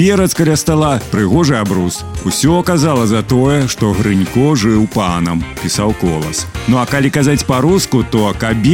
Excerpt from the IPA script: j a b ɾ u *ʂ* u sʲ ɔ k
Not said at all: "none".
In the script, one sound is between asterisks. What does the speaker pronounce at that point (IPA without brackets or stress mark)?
s